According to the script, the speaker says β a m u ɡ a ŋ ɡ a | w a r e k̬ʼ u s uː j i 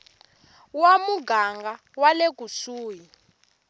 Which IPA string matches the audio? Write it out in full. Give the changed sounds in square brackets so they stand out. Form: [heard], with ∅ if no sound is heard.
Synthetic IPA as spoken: [w] a m u ɡ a ŋ ɡ a | w a [l] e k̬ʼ u s uː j i